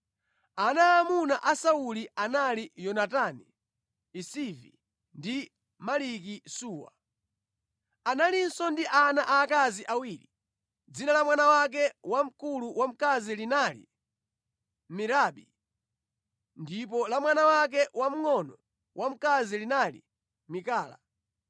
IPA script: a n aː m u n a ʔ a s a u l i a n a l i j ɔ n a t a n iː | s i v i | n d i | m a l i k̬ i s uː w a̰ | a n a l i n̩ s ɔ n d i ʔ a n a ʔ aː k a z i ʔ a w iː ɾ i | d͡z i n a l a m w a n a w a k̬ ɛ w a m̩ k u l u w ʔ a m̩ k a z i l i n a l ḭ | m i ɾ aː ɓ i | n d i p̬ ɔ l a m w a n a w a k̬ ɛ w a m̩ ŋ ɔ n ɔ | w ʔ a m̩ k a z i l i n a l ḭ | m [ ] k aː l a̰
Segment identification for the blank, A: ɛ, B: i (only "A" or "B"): B